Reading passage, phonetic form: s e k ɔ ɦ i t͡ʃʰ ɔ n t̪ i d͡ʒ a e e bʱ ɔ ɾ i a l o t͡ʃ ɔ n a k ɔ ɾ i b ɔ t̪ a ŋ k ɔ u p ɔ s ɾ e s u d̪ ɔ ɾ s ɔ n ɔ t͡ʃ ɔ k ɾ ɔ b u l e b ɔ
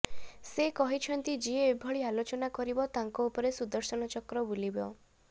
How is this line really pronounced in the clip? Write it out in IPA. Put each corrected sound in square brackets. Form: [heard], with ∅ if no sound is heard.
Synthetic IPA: s e k ɔ ɦ i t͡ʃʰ ɔ n t̪ i d͡ʒ [i] e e bʱ ɔ [ɭ] i a l o t͡ʃ ɔ n a k ɔ ɾ i b ɔ t̪ a ŋ k ɔ u p ɔ [∅] ɾ e s u d̪ ɔ ɾ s ɔ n ɔ t͡ʃ ɔ k ɾ ɔ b u l [i] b ɔ

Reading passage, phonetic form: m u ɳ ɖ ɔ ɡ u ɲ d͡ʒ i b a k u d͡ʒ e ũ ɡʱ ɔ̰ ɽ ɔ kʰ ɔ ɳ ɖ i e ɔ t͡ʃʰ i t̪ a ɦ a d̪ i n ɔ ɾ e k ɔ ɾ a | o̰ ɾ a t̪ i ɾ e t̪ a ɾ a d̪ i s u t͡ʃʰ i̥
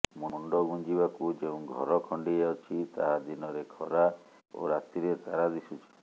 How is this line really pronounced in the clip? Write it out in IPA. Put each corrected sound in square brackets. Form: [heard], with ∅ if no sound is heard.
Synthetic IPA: m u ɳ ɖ ɔ ɡ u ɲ d͡ʒ i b a k u d͡ʒ e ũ ɡʱ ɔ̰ [ɾ] ɔ kʰ ɔ ɳ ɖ i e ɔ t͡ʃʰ i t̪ a ɦ a d̪ i n ɔ ɾ e [kʰ] ɔ ɾ a | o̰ ɾ a t̪ i ɾ e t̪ a ɾ a d̪ i s u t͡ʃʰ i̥

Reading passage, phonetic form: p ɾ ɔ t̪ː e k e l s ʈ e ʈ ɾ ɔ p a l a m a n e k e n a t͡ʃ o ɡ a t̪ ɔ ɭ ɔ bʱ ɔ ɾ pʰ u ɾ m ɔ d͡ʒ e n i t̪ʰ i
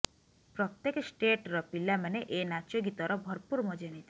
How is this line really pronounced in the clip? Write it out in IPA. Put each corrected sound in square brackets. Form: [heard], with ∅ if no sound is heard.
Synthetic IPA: p ɾ ɔ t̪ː e k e [∅] s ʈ e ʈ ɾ ɔ p [i] l a m a n e [ʔ] e n a t͡ʃ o ɡ [i] t̪ ɔ [ɾ] ɔ bʱ ɔ ɾ [p] u ɾ m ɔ d͡ʒ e n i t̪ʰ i

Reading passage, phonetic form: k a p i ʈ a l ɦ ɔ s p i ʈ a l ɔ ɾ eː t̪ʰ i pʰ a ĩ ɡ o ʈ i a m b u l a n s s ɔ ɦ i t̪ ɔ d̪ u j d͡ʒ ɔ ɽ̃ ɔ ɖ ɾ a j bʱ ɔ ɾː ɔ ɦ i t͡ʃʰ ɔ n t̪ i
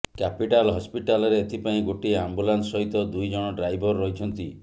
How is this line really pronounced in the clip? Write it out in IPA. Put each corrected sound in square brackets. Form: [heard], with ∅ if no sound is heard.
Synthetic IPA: k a p i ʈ a l ɦ ɔ s p i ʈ a l ɔ ɾ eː t̪ʰ i [p] a ĩ ɡ o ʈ i a m b u l a n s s ɔ ɦ i t̪ ɔ d̪ u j d͡ʒ ɔ ɽ̃ ɔ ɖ ɾ a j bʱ ɔ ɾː ɔ ɦ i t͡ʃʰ ɔ n t̪ i

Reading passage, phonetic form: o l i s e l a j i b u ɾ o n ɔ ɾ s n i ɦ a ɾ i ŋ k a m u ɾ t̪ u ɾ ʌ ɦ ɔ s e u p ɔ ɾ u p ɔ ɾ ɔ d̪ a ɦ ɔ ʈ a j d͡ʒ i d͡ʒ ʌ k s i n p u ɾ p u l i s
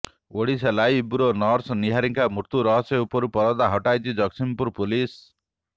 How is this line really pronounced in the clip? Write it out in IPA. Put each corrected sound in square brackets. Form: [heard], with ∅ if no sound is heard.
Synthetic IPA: o [ɽ] i s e l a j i b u ɾ o n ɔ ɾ s n i ɦ a ɾ i ŋ k a m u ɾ t̪ u ɾ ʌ ɦ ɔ s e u p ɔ ɾ u p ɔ ɾ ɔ d̪ a ɦ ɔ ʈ a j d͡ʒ i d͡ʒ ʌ k s i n p u ɾ p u l i s

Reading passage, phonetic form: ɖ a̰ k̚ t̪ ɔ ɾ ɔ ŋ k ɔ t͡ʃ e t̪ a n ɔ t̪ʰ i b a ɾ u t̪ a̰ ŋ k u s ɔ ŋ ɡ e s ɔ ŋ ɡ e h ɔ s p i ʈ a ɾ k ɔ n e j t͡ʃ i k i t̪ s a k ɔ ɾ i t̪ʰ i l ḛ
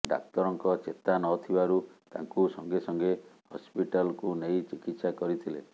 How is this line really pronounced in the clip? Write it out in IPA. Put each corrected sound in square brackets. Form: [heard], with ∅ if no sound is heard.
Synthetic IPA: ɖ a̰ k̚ t̪ ɔ ɾ ɔ ŋ k ɔ t͡ʃ e t̪ a n ɔ t̪ʰ i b a ɾ u t̪ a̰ ŋ k u s ɔ ŋ ɡ e s ɔ ŋ ɡ e h ɔ s p i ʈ a [l] k [u] n e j t͡ʃ i k i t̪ s a k ɔ ɾ i t̪ʰ i l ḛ

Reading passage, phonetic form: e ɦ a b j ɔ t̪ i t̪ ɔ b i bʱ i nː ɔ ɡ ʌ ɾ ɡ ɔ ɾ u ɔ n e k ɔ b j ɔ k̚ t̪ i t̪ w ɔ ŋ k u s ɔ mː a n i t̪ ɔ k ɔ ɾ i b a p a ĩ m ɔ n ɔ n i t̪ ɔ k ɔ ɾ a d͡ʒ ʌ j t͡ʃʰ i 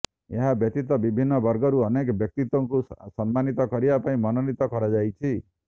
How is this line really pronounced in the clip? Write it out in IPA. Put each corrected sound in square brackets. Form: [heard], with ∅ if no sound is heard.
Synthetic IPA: e ɦ a b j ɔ t̪ i t̪ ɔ b i bʱ i nː ɔ [b] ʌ ɾ ɡ ɔ ɾ u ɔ n e k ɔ b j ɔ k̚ t̪ i t̪ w ɔ ŋ k u s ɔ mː a n i t̪ ɔ k ɔ ɾ i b a p a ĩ m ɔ n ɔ n i t̪ ɔ k ɔ ɾ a d͡ʒ [a] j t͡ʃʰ i

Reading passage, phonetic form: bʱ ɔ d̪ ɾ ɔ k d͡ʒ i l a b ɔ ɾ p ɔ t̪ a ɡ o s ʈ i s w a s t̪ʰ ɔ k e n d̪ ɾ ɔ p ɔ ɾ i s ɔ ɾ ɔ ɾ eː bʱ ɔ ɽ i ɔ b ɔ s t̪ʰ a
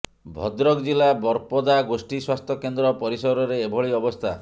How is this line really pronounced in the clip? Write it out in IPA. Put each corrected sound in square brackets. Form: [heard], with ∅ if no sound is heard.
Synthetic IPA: bʱ ɔ d̪ ɾ ɔ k d͡ʒ i l a b ɔ ɾ p ɔ [d̪] a ɡ o s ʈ i s w a s t̪ʰ ɔ k e n d̪ ɾ ɔ p ɔ ɾ i s ɔ ɾ ɔ ɾ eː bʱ ɔ [ɭ] i ɔ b ɔ s t̪ʰ a

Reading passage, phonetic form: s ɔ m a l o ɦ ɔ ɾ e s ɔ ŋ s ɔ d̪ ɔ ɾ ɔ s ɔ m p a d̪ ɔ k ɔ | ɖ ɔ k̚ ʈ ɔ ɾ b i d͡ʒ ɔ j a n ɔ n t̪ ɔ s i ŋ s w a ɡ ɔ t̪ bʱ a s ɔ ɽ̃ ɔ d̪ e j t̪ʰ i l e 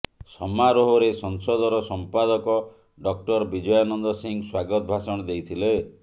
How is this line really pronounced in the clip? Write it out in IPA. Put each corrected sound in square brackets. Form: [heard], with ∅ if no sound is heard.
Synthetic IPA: s ɔ m a [ɾ] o ɦ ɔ ɾ e s ɔ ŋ s ɔ d̪ ɔ ɾ ɔ s ɔ m p a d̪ ɔ k ɔ | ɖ ɔ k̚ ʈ ɔ ɾ b i d͡ʒ ɔ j a n ɔ n [d̪] ɔ s i ŋ s w a ɡ ɔ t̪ bʱ a s ɔ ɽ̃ ɔ d̪ e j t̪ʰ i l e

